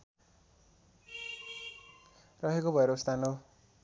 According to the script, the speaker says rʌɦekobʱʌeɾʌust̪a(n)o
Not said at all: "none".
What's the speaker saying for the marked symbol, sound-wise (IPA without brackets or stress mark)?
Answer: n